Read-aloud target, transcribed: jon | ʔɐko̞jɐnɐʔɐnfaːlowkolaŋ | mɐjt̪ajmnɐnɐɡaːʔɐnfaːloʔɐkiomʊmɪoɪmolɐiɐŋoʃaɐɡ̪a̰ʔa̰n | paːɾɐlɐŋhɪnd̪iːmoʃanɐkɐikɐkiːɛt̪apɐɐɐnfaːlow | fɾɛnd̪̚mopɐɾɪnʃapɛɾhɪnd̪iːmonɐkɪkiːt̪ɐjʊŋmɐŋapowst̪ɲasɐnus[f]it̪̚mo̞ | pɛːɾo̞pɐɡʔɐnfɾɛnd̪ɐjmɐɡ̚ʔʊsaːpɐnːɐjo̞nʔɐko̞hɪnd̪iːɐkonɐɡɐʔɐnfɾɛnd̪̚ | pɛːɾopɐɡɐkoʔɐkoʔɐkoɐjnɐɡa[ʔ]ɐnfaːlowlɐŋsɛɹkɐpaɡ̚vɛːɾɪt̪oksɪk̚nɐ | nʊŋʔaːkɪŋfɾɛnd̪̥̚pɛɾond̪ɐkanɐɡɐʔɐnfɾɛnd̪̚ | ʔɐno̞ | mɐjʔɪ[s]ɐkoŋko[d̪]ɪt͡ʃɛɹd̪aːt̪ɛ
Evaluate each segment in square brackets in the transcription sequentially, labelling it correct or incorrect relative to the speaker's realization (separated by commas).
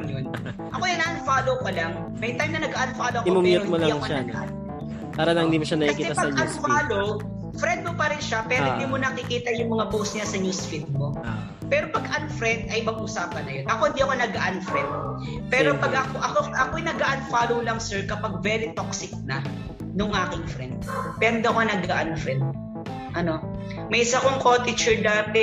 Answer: correct, correct, correct, incorrect